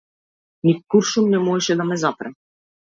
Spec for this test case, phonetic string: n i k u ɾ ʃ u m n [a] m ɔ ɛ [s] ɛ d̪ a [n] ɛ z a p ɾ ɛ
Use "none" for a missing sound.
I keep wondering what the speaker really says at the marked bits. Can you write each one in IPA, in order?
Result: ɛ, ʃ, m

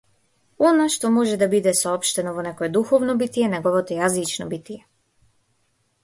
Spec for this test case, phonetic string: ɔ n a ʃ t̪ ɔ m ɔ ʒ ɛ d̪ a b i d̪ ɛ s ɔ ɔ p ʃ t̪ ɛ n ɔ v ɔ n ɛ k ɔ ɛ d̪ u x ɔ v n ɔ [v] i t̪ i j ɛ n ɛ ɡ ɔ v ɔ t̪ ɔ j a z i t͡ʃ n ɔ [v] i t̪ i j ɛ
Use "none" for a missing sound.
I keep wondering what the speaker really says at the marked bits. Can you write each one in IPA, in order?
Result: b, b

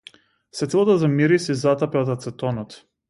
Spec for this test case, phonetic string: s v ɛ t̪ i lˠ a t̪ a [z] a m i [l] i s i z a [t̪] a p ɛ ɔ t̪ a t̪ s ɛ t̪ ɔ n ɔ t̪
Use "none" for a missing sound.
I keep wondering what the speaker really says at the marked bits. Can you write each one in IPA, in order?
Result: z, ɾ, t̪

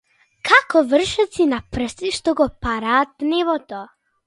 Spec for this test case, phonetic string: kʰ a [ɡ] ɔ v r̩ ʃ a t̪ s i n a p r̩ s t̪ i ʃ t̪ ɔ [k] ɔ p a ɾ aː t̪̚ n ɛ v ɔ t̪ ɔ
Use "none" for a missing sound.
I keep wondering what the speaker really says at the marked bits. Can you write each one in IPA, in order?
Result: k, ɡ

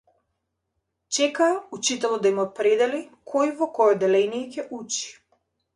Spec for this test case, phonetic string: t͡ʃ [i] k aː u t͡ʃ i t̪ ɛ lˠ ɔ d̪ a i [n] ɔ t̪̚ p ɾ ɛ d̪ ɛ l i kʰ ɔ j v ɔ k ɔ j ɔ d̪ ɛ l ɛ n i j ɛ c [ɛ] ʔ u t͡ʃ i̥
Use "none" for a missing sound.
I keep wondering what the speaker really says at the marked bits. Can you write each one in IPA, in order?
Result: ɛ, m, ɛ

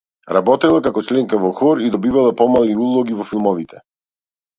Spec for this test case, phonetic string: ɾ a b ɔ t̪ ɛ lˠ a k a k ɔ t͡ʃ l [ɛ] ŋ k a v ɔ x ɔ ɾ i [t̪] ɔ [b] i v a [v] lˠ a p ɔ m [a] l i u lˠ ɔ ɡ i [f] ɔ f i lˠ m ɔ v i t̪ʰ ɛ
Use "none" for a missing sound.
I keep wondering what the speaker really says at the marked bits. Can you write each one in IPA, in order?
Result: ɛ, d̪, b, none, a, v

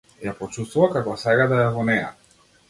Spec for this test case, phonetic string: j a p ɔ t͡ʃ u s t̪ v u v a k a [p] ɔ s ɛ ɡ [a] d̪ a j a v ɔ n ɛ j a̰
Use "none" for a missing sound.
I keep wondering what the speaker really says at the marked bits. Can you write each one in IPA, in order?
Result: k, a

